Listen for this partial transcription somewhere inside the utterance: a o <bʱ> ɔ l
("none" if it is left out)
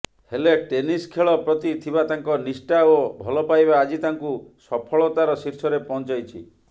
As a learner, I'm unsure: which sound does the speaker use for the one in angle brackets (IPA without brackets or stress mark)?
bʱ